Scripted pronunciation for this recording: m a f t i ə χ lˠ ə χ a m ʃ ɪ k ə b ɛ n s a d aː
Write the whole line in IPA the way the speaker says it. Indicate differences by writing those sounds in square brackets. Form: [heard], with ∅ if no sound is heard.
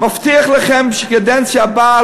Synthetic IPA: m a f t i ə χ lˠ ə χ [ɛ] m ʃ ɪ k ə [d] ɛ n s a [b] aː